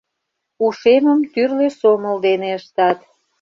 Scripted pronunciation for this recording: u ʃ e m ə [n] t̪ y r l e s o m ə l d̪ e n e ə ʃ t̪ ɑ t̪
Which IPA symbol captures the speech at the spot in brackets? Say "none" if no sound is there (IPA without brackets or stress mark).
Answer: m